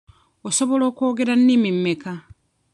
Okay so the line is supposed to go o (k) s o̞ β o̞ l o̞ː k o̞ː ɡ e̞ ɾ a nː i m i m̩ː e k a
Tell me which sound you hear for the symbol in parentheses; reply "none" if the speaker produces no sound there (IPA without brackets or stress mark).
none